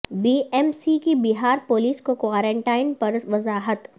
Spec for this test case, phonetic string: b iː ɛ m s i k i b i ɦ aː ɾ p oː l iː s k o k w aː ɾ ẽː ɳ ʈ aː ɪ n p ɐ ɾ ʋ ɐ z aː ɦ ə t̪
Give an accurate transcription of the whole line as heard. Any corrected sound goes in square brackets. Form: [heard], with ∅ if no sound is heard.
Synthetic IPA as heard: b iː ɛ m s i k i b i ɦ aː ɾ p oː l iː s k o k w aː ɾ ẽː ɳ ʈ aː ɪ n p ɐ ɾ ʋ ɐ z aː ɦ ə t̪

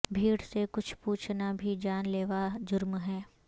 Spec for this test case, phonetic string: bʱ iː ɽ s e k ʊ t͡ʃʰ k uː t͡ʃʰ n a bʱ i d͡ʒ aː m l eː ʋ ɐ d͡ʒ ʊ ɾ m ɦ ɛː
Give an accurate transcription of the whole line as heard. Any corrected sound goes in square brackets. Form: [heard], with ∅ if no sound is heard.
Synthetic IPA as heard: bʱ iː ɽ s e k ʊ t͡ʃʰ [p] uː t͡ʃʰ n a bʱ i d͡ʒ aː [n] l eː ʋ [a] d͡ʒ ʊ ɾ m ɦ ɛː

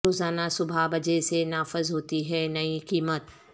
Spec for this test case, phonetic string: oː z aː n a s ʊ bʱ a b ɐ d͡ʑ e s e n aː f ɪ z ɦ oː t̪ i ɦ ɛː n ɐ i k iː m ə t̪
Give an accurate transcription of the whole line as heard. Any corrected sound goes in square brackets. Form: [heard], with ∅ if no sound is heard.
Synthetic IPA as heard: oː z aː n a s ʊ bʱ a b ɐ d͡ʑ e s e n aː f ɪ z ɦ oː t̪ i ɦ ɛː n ɐ i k iː m ə t̪

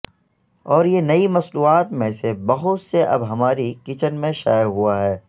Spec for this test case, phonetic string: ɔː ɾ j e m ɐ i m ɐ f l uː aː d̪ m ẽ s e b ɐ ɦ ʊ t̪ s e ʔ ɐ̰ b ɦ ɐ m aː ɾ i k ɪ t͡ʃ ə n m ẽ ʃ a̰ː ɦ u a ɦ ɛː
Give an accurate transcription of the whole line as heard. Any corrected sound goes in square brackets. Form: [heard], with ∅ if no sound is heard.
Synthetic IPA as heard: ɔː ɾ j e [n] ɐ i m ɐ [s] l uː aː [t̪] m ẽ s e b ɐ ɦ ʊ t̪ s e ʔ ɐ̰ b ɦ ɐ m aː ɾ i k ɪ t͡ʃ ə n m ẽ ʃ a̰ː ɦ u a ɦ ɛː

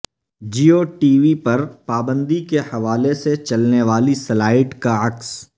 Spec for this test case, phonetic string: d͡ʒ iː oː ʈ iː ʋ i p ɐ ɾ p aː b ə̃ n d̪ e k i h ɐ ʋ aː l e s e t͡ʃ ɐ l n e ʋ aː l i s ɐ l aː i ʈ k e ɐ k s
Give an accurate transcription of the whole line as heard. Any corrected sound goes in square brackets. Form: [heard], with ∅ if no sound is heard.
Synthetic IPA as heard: d͡ʒ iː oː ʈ iː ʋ i p ɐ ɾ p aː b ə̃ n d̪ [i] k [e] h ɐ ʋ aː l e s e t͡ʃ ɐ l n e ʋ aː l i s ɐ l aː [ɪ] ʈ k [a] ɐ k s

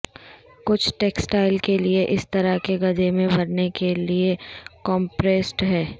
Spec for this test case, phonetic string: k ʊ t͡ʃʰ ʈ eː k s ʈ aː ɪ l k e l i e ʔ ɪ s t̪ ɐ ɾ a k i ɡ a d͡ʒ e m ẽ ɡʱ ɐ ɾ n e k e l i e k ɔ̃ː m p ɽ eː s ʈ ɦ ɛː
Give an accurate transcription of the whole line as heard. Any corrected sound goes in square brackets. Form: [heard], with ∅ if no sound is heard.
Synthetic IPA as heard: k ʊ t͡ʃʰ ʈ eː k s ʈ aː ɪ l k e l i e ʔ ɪ s t̪ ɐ ɾ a k [e] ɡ [ɐ] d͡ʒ e m ẽ [bʱ] ɐ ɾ n e k e l i e k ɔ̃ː m p [ɾ] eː s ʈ ɦ ɛː

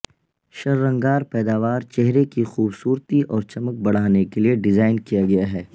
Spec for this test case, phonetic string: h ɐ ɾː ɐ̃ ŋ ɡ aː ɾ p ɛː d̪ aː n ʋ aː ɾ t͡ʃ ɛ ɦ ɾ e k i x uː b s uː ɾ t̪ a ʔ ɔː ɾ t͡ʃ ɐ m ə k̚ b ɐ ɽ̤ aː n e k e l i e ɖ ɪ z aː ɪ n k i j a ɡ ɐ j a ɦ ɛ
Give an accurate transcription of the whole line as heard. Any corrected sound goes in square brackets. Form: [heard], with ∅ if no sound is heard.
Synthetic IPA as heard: [ʃ] ɐ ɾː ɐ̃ ŋ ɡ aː ɾ p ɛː d̪ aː [∅] ʋ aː ɾ t͡ʃ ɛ ɦ ɾ e k i x uː b s uː ɾ t̪ [i] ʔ ɔː ɾ t͡ʃ ɐ m ə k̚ b ɐ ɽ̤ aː n e k e l i e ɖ ɪ z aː ɪ n k i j a ɡ ɐ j a ɦ [ɛː]

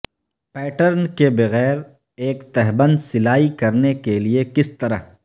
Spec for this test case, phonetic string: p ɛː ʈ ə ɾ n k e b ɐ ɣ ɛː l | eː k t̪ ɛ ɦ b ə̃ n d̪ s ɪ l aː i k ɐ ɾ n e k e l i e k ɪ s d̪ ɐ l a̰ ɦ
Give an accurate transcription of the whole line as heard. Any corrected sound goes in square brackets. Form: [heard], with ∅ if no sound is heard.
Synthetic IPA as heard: p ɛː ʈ ə ɾ n k e b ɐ ɣ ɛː [ɾ] | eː k t̪ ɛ ɦ b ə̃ n d̪ s ɪ l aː i k ɐ ɾ n e k e l i e k ɪ s [t̪] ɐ [ɾ] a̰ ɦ

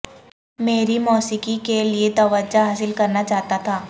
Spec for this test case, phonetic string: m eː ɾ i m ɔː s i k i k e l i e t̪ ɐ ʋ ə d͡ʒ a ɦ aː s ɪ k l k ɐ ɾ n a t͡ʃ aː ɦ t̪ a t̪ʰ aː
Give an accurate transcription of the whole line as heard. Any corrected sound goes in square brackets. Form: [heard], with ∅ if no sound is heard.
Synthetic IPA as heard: m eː ɾ i m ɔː s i k i k e l i e t̪ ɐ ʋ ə d͡ʒ a ɦ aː s ɪ [∅] l k ɐ ɾ n a t͡ʃ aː ɦ t̪ a t̪ʰ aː

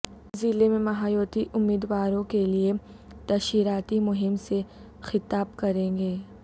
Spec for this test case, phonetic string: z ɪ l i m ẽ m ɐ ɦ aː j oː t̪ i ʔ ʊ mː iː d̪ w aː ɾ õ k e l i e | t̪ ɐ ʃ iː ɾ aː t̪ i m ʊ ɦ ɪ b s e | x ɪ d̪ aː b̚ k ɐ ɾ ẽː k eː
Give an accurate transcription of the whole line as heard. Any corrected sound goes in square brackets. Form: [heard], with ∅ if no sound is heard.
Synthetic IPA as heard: z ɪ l [e] m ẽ m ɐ ɦ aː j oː t̪ i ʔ ʊ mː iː d̪ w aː ɾ õ k e l i e | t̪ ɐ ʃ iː ɾ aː t̪ i m ʊ ɦ ɪ [m] s e | x ɪ [t̪] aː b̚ k ɐ ɾ ẽː [ɡ] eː

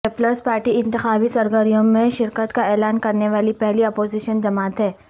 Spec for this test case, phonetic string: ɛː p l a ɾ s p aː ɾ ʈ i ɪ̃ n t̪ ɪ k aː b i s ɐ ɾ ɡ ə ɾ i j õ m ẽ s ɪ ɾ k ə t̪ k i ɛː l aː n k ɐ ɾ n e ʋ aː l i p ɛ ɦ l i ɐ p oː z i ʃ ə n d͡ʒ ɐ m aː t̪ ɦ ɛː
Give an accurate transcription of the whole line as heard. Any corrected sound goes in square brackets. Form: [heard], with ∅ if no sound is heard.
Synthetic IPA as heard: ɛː p l [ə] ɾ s p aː ɾ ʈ i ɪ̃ n t̪ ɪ [x] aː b i s ɐ ɾ ɡ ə ɾ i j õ m ẽ [ʃ] ɪ ɾ k ə t̪ k [a] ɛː l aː n k ɐ ɾ n e ʋ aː l i p ɛ ɦ l i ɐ p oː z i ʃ ə n d͡ʒ ɐ m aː t̪ ɦ ɛː

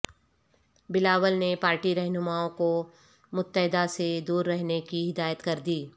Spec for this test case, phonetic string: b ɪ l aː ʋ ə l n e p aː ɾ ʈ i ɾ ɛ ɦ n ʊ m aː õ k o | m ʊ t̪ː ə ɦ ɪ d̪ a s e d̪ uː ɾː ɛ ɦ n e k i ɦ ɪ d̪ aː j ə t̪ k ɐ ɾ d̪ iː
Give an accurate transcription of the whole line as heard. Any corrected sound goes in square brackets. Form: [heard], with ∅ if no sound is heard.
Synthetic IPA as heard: b ɪ l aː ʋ ə l n e p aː ɾ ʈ i ɾ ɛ ɦ n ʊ m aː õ k o | m ʊ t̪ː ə ɦ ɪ d̪ a s e d̪ uː ɾː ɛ ɦ n e k i ɦ ɪ d̪ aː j ə t̪ k ɐ ɾ d̪ iː

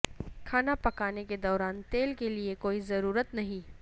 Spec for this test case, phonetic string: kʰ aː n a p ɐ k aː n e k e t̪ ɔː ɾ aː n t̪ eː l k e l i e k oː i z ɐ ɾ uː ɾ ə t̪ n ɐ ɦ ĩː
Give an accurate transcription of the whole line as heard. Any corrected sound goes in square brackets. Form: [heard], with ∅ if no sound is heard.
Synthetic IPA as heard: kʰ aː n a p ɐ k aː n e k e [d̪] ɔː ɾ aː n t̪ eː l k e l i e k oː i z ɐ ɾ uː ɾ ə t̪ n ɐ ɦ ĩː

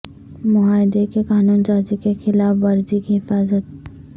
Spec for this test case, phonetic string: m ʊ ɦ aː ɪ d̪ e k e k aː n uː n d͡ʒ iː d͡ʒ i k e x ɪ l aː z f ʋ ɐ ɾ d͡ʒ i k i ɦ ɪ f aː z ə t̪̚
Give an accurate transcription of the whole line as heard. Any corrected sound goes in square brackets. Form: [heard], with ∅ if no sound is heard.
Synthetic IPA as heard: m ʊ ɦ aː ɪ d̪ e k e k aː n uː n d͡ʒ [aː] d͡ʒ i k e x ɪ l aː [∅] f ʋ ɐ ɾ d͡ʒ i k i ɦ ɪ f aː z ə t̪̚

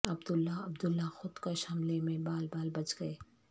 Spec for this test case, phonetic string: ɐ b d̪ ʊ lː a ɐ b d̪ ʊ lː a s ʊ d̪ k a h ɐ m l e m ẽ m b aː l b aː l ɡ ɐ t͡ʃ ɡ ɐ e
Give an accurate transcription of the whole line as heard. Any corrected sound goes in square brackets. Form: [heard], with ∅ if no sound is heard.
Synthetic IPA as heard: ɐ b d̪ ʊ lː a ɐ b d̪ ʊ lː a [x] ʊ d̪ k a [ʃ] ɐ m l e m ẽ [∅] b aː l b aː l [b] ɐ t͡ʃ ɡ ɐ e

